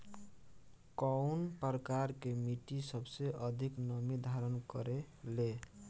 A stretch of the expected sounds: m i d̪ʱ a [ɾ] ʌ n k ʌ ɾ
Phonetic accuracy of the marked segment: correct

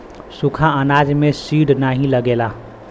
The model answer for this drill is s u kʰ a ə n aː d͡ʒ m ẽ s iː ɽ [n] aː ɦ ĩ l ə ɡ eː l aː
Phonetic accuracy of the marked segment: correct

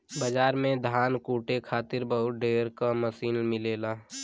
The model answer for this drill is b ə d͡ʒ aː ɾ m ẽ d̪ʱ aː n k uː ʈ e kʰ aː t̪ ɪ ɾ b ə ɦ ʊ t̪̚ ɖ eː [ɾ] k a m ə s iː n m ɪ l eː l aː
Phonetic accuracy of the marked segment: correct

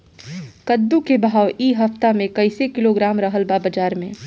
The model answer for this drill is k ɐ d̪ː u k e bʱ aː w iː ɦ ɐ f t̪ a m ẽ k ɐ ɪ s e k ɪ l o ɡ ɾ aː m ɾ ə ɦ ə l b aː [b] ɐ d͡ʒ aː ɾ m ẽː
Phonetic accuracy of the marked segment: correct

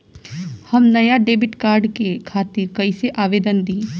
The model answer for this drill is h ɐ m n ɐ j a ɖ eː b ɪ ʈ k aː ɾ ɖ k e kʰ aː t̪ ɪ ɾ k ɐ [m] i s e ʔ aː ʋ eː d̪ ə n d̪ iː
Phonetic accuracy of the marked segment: incorrect: none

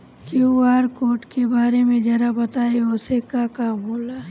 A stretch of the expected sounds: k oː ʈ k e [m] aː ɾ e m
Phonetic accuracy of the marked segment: incorrect: b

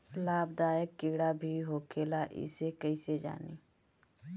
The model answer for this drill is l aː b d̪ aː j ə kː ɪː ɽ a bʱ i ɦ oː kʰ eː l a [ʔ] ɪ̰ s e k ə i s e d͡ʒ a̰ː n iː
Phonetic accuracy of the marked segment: correct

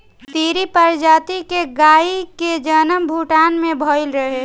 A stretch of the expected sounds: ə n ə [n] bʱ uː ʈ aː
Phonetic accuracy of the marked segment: incorrect: m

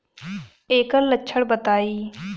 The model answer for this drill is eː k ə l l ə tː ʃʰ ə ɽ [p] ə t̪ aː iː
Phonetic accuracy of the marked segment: incorrect: b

